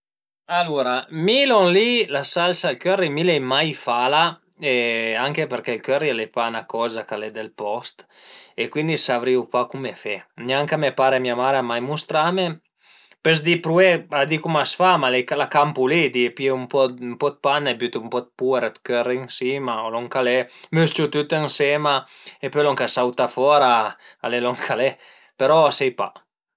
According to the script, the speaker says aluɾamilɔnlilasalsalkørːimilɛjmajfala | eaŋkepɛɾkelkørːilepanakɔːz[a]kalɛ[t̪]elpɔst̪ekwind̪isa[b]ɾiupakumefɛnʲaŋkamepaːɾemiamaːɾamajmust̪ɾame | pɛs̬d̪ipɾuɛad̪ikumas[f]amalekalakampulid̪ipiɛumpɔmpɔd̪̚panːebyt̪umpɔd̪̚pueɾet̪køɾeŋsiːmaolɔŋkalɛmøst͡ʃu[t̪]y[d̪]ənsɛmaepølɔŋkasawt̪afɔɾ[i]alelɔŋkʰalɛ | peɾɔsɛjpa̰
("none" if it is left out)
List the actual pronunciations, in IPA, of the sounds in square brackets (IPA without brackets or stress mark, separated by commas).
a, d̪, v, f, t̪, t̪, a